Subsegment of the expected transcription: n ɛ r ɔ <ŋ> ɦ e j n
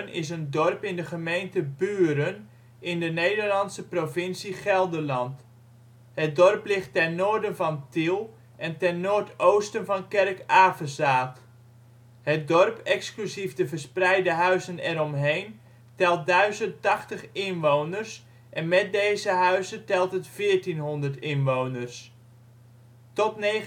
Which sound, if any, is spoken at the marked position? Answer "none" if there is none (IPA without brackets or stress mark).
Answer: m